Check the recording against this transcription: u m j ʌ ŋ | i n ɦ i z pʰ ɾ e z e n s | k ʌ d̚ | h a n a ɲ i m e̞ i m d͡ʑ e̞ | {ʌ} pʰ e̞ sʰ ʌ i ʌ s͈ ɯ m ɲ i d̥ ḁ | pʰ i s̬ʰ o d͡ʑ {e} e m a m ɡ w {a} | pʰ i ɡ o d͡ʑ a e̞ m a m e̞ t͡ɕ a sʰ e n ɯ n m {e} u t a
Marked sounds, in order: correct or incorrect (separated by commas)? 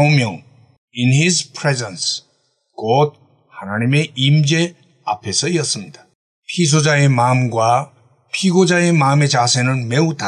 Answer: incorrect, incorrect, correct, correct